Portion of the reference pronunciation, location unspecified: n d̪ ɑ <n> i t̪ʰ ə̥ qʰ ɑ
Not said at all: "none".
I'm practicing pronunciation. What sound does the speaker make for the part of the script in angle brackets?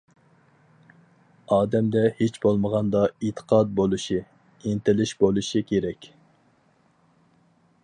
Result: none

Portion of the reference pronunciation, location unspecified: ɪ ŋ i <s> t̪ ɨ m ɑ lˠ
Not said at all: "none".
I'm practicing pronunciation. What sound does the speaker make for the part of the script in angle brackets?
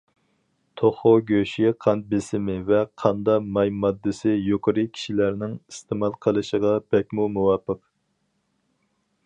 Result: s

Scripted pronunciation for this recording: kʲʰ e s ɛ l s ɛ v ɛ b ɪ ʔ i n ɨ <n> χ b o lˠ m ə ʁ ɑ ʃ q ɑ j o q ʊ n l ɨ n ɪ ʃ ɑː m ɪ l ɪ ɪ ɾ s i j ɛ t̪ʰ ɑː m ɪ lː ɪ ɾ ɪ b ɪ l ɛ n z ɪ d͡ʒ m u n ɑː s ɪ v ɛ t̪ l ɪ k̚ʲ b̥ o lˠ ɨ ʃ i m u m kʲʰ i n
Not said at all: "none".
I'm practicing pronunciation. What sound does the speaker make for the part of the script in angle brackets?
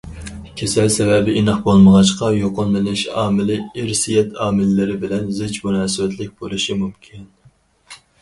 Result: none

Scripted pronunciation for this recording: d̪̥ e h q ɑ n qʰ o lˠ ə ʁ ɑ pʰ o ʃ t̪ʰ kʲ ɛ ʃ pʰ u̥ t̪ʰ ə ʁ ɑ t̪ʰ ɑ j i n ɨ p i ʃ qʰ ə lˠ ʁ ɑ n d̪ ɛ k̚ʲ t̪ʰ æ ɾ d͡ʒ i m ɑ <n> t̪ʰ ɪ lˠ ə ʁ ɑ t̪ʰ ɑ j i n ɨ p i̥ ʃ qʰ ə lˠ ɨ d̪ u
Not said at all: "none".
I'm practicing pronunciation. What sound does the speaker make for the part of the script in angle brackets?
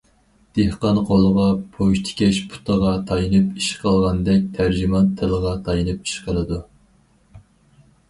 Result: n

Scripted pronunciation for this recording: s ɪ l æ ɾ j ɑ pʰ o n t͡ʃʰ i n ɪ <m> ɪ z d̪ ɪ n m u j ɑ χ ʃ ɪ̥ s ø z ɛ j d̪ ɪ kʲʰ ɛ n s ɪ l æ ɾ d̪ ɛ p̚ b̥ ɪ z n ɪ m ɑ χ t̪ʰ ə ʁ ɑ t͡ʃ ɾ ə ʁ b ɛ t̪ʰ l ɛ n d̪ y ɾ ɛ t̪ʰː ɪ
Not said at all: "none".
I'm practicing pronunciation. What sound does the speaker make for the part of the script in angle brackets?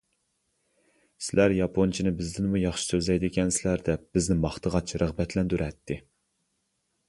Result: b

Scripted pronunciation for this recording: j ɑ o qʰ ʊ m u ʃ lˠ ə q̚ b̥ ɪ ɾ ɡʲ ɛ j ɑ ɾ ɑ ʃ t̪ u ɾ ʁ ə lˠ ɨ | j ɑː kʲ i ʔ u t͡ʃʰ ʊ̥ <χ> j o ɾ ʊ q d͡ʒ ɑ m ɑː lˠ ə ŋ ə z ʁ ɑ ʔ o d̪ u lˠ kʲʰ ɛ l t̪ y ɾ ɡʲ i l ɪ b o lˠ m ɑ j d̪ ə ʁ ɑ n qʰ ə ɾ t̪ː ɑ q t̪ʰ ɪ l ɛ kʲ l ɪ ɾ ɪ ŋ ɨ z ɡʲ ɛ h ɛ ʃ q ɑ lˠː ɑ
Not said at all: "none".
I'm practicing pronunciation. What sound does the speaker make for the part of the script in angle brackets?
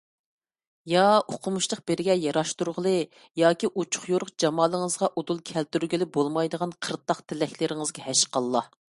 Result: χ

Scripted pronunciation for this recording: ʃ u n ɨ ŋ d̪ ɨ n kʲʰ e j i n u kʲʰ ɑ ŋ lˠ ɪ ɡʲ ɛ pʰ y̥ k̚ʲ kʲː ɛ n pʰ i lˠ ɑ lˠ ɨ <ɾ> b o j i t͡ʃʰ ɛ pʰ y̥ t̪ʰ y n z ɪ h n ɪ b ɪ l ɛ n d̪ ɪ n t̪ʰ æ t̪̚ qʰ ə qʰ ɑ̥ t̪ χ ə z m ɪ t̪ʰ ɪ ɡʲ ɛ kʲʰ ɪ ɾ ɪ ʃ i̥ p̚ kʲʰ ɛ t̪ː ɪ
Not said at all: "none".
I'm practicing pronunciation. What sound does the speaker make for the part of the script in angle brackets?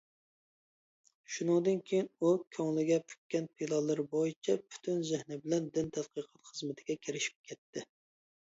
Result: ɾ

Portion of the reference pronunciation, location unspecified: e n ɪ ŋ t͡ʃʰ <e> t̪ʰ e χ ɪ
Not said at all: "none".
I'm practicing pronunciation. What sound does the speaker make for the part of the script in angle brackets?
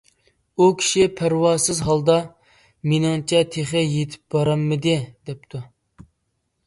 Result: ɛ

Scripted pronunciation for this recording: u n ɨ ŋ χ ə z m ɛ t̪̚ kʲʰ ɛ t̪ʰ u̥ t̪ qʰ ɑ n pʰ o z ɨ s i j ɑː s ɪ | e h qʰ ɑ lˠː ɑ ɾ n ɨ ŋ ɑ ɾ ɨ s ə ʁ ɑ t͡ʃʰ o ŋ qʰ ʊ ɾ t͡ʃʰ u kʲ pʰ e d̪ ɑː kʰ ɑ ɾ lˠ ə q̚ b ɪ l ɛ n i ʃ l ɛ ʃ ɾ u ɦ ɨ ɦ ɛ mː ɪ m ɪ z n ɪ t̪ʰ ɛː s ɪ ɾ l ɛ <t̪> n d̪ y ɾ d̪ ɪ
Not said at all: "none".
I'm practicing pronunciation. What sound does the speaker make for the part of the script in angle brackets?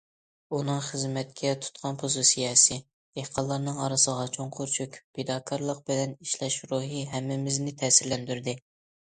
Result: none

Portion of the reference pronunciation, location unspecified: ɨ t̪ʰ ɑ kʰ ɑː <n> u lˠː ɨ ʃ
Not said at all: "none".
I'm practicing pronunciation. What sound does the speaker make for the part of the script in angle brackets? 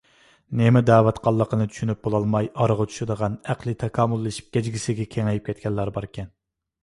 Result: m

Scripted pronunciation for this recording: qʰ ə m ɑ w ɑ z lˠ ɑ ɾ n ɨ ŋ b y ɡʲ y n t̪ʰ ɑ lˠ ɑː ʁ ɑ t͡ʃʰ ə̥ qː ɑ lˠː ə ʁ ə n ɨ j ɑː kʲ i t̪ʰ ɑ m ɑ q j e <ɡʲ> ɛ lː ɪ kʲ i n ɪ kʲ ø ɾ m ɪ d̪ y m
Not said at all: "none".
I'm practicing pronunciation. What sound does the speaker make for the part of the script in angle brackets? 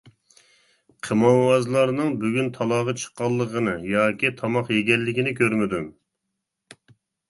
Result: ɡʲ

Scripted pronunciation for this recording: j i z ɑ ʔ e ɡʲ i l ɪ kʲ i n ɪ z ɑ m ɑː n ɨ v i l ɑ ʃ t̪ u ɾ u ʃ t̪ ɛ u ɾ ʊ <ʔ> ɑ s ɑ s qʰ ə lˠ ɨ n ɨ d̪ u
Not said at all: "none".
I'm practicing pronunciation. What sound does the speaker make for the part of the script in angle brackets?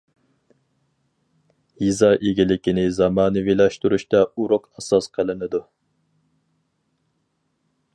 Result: q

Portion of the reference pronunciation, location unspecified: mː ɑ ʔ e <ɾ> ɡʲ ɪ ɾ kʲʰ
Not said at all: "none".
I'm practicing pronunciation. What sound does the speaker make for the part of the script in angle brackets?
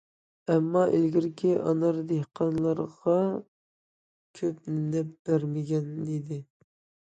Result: l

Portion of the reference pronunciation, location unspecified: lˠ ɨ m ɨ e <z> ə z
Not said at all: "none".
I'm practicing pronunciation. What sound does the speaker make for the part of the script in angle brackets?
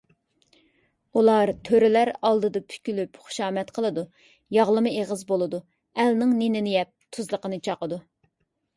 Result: ʁ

